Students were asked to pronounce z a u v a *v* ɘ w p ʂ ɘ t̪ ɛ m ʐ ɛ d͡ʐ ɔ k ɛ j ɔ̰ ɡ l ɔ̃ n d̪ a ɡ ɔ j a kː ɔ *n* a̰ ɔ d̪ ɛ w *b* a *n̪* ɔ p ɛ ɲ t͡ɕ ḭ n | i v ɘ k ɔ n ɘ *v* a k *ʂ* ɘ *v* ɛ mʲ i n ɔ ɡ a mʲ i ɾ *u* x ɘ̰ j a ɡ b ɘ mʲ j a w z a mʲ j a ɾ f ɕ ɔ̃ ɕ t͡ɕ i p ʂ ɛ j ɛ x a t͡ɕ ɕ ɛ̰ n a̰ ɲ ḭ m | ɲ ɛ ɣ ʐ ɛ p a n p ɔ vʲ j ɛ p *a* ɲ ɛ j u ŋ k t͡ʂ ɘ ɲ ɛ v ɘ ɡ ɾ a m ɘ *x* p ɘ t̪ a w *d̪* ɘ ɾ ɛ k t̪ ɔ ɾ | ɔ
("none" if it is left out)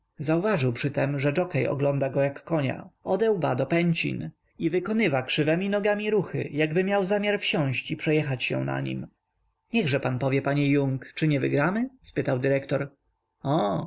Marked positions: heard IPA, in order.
ʐ, ɲ, b, d̪, v, ʂ, v, u, a, s, d̪

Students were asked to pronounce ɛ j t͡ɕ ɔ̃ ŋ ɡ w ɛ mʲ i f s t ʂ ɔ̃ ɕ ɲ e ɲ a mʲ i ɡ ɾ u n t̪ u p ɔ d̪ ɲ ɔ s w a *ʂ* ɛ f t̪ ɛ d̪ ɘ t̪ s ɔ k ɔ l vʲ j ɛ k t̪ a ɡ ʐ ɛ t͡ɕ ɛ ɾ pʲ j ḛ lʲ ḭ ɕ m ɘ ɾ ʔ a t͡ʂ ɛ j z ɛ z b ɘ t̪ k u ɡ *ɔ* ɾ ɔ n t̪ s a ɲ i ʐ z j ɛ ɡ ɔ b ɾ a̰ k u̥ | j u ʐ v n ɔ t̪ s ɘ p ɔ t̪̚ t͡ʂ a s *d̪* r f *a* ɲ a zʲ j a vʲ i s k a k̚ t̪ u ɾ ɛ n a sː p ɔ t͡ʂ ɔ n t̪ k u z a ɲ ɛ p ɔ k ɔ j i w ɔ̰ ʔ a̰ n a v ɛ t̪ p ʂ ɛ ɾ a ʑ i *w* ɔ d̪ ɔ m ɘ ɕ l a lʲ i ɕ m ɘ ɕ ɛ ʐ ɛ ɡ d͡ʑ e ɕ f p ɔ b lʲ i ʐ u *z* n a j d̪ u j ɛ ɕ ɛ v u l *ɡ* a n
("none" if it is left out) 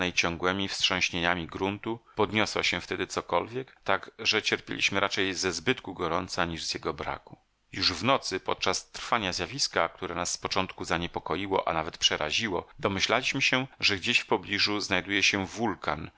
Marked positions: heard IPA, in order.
ɕ, ɔ, t̪, a, w, z, k

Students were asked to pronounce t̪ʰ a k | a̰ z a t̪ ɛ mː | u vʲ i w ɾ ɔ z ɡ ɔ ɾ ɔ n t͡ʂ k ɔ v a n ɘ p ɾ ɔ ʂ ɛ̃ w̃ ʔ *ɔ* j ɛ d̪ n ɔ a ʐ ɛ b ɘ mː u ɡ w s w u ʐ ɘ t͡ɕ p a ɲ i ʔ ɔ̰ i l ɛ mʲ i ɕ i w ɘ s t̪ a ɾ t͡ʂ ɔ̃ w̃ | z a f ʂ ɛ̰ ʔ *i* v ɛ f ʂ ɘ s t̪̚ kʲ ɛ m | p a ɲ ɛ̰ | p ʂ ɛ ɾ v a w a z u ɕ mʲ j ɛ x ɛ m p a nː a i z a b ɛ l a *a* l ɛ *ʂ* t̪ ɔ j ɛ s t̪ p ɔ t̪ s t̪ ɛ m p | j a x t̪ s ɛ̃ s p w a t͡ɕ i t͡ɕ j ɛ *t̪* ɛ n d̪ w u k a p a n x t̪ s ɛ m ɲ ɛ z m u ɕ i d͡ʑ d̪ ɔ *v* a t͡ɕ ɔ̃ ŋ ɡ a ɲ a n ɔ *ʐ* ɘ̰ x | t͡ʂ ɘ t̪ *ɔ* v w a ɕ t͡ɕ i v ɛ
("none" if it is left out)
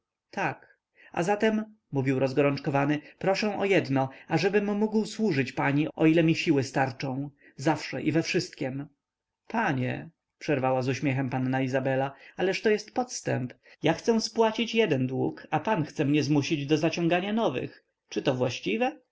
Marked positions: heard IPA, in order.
ɔ, i, a, ʂ, d̪, z, v, ɔ

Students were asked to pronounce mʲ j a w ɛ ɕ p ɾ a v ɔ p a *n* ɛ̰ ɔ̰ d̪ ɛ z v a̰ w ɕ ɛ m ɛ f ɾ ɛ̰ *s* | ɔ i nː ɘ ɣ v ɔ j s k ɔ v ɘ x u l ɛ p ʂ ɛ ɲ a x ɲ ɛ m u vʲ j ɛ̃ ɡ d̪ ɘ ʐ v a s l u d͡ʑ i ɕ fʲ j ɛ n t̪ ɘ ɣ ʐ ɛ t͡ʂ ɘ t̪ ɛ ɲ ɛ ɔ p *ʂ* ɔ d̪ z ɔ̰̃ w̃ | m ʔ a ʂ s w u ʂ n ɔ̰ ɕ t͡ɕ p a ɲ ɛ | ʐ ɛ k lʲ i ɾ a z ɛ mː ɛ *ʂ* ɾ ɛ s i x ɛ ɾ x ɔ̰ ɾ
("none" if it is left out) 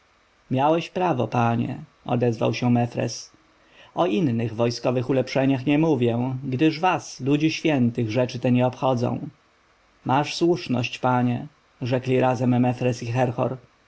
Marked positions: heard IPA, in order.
ɲ, s, x, f

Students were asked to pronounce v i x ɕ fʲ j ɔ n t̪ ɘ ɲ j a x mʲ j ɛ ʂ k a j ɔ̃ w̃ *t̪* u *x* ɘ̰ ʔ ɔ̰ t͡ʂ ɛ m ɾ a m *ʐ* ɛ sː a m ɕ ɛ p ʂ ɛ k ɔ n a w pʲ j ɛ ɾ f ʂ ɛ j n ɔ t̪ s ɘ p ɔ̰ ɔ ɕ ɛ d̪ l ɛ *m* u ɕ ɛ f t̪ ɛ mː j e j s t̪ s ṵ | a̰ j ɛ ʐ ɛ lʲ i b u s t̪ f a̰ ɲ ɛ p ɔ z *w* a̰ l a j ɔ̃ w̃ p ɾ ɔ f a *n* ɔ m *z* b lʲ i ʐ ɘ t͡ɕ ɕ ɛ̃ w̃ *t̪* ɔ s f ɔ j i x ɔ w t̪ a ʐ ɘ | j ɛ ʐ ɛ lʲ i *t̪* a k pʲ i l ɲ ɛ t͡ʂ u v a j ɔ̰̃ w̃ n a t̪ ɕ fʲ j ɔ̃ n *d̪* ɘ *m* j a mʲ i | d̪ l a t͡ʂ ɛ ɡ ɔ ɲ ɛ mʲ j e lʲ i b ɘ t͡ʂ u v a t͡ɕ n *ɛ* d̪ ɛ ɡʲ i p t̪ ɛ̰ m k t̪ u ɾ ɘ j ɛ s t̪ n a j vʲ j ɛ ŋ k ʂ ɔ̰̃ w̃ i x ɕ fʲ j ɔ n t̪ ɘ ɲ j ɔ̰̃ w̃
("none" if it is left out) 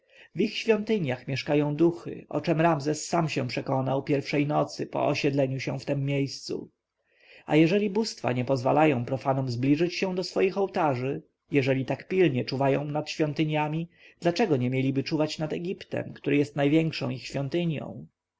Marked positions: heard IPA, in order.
d̪, x, z, ɲ, v, n, z, d̪, t̪, t̪, ɲ, a

